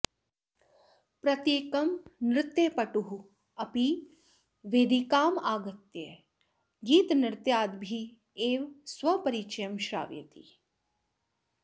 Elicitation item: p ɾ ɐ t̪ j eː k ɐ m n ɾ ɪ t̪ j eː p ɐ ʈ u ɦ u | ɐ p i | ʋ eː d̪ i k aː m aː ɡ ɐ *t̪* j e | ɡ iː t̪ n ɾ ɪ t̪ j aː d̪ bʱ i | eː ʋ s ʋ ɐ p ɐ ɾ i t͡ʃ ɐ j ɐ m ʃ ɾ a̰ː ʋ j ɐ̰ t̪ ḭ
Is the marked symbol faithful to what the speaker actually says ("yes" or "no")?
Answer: yes